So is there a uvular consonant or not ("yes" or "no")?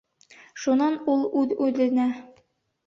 no